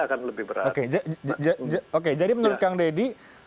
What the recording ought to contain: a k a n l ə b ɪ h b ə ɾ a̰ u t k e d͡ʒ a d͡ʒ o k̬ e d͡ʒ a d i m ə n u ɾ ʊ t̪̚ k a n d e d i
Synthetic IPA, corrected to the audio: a k a n l ə b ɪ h b ə ɾ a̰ o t k e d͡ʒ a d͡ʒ o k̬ e d͡ʒ a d i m ə n u ɾ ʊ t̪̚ k a ŋ d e d i